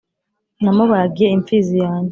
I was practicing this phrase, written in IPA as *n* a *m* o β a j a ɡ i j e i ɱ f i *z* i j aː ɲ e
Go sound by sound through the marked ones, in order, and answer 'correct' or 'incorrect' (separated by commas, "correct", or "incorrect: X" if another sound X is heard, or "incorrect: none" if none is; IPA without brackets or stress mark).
correct, correct, correct